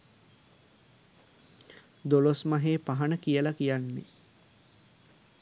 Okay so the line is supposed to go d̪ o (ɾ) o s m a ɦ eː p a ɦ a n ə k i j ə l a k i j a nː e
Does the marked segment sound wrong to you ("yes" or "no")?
yes